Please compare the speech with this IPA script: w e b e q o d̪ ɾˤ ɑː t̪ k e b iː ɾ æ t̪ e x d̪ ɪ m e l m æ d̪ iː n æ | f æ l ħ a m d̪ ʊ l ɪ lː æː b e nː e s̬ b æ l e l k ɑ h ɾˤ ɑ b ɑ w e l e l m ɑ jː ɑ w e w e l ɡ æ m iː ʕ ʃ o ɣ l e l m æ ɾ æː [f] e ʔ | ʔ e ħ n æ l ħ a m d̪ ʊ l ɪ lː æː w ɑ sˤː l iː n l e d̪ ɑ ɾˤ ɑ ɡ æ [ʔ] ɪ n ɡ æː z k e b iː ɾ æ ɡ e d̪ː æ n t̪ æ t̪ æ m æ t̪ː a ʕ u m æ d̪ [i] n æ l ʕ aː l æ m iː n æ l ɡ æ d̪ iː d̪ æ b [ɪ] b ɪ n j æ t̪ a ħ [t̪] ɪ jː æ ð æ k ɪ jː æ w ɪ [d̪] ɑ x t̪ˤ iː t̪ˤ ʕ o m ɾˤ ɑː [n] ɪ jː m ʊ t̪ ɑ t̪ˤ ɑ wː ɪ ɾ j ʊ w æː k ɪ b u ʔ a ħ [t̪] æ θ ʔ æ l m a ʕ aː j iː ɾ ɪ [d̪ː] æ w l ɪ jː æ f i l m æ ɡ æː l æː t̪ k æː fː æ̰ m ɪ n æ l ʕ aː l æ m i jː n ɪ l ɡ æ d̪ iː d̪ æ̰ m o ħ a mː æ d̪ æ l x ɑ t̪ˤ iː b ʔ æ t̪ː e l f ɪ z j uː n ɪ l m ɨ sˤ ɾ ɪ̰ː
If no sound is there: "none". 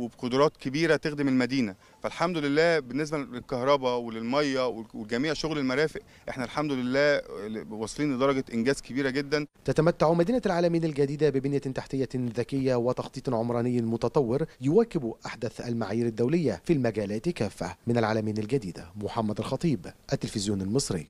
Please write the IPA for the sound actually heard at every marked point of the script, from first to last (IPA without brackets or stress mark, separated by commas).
f, ʔ, iː, ɪ, t̪, t̪, n, d̪, d̪ː